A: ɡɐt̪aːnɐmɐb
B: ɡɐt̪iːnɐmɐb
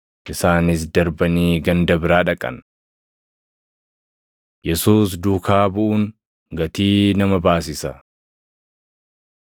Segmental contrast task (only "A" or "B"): B